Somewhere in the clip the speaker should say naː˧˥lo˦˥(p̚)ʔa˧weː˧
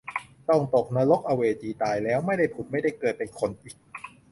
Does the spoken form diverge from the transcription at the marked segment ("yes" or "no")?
yes